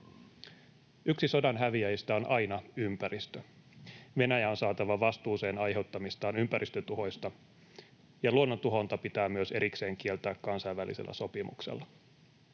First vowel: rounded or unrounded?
rounded